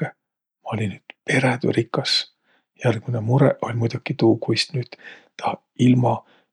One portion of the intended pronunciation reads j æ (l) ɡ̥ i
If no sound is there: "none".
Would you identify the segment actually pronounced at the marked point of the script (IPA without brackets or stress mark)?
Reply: l